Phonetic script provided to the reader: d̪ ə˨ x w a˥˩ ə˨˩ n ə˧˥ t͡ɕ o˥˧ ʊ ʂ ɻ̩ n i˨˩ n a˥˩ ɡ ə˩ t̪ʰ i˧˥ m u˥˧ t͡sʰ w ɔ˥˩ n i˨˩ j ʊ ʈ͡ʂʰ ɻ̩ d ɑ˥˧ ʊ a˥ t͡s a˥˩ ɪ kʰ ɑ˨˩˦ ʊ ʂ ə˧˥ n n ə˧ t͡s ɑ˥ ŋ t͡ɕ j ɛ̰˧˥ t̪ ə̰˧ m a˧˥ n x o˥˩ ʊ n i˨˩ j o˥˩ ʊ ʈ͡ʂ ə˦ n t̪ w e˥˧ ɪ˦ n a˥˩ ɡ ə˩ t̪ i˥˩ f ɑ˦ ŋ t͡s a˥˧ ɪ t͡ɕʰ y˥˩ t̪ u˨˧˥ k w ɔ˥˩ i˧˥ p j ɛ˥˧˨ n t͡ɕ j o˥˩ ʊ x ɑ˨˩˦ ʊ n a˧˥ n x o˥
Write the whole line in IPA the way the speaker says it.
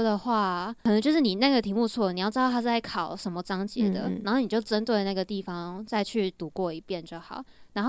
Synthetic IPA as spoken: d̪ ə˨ x w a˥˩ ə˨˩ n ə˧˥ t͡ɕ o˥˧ ʊ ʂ ɻ̩ n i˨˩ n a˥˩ ɡ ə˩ t̪ʰ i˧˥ m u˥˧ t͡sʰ w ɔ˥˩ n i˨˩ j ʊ ʈ͡ʂ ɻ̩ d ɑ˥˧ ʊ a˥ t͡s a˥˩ ɪ kʰ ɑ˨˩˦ ʊ ʂ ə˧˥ n m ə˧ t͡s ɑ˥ ŋ t͡ɕ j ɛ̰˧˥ d̪ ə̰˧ n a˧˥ n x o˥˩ ʊ n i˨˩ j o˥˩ ʊ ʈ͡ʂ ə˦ n t̪ w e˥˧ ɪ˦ n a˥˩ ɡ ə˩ t̪ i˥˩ f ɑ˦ ŋ t͡s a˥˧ ɪ t͡ɕʰ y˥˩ t̪ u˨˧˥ k w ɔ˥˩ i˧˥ p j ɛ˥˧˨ n t͡ɕ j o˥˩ ʊ x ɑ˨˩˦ ʊ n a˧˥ n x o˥